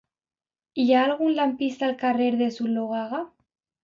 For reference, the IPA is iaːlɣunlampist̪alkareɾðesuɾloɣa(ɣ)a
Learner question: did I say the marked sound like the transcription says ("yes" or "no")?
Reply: yes